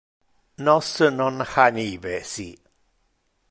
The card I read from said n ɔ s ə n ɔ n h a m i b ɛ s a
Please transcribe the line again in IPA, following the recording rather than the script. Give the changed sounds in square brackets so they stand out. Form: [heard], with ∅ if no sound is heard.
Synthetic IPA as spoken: n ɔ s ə n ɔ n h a [n] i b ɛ s [i]